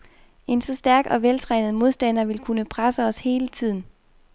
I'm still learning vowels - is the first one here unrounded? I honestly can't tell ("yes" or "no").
yes